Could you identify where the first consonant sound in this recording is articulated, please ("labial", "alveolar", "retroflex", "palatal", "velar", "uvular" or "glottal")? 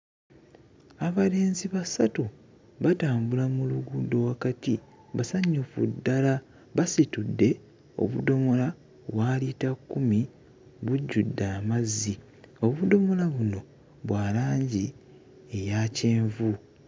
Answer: labial